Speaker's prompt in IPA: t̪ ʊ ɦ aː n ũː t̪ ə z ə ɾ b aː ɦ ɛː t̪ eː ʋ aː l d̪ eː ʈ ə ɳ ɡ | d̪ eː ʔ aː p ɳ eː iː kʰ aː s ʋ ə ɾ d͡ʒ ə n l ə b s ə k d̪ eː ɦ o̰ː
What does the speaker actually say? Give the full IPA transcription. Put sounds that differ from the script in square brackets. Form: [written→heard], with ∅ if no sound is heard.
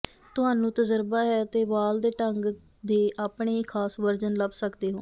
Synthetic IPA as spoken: t̪ ʊ ɦ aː n ũː t̪ ə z ə ɾ b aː ɦ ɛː t̪ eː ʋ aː l d̪ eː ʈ ə [ɳ→ŋ] ɡ | d̪ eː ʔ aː p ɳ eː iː kʰ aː s ʋ ə ɾ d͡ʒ ə n l ə b s ə k d̪ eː ɦ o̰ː